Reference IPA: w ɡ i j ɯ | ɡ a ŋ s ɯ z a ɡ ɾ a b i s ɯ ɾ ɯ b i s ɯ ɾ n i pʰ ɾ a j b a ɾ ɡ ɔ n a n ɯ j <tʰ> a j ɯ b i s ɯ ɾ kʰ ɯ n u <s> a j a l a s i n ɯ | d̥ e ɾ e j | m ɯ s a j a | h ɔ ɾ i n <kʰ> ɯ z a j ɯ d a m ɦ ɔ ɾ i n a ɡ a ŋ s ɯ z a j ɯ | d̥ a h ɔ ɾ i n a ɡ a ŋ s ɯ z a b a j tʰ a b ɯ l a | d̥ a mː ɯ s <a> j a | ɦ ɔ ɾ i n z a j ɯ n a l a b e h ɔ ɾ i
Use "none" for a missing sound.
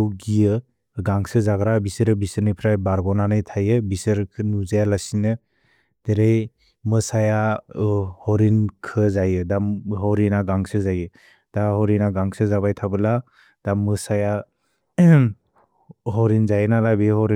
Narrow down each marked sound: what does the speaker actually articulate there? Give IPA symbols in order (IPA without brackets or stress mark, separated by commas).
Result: tʰ, z, kʰ, a